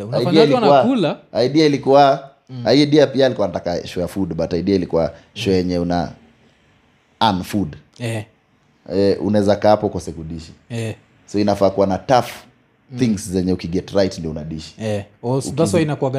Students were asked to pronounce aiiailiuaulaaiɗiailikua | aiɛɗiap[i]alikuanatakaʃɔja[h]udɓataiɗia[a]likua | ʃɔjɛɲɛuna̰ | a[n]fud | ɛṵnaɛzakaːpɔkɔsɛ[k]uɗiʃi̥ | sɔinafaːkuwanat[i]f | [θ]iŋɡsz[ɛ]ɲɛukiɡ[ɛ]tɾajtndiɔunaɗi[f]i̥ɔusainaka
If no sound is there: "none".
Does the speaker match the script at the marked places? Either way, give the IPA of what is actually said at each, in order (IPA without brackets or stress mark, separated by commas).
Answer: i, f, i, n, k, a, θ, ɛ, ɛ, ʃ